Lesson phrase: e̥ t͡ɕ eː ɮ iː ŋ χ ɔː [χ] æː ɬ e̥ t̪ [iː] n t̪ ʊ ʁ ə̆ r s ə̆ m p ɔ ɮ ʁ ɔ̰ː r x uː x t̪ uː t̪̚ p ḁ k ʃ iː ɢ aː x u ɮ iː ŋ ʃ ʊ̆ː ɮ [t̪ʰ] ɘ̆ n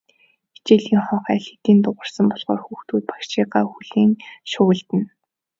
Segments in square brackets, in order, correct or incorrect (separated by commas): correct, correct, incorrect